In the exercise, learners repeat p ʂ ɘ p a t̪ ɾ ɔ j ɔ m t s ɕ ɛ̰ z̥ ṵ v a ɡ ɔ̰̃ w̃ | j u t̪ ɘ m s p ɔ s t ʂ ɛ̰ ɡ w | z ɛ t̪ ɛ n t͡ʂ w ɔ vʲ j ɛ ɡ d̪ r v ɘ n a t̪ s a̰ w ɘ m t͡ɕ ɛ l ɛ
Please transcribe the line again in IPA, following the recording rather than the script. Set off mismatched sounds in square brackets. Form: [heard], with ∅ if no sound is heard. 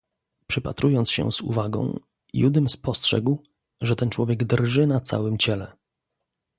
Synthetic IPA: p ʂ ɘ p a t̪ ɾ [u] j ɔ [n] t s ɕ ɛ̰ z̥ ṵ v a ɡ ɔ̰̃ w̃ | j u [d̪] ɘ m s p ɔ s t ʂ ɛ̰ ɡ w | [ʐ] ɛ t̪ ɛ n t͡ʂ w ɔ vʲ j ɛ ɡ d̪ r [ʐ] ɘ n a t̪ s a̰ w ɘ m t͡ɕ ɛ l ɛ